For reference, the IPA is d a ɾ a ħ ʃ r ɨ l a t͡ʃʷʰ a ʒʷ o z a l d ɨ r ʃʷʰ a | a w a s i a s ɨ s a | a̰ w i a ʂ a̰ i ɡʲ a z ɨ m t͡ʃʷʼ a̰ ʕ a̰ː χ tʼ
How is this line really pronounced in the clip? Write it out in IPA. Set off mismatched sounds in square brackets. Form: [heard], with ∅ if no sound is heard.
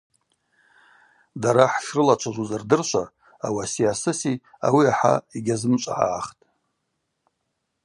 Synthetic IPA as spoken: d a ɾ a ħ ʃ r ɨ l a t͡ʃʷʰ a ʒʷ [u] z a [r] d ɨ r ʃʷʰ a | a w a s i a s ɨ s [i] | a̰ w i a [ħ] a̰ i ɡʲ a z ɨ m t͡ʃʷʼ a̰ ʕ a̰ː χ tʼ